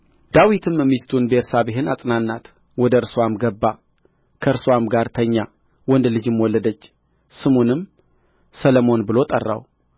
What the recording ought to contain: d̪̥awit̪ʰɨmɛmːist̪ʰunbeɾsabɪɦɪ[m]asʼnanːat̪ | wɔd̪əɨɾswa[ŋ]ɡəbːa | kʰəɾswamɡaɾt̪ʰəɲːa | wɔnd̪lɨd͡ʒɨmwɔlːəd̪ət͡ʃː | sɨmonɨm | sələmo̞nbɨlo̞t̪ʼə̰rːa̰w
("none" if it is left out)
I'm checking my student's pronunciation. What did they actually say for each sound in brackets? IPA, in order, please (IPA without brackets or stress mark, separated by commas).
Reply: n, m